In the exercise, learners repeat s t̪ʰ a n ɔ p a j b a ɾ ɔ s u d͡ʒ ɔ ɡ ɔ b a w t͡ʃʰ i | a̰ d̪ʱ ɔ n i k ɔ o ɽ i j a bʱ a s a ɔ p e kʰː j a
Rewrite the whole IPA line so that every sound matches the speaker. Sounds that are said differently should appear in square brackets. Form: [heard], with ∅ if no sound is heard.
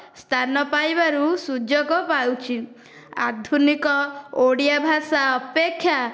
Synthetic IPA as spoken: s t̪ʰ a n ɔ p a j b a ɾ [u] s u d͡ʒ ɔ ɡ ɔ [p] a w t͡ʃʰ i | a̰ d̪ʱ [u] n i k ɔ o ɽ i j a bʱ a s a ɔ p e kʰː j a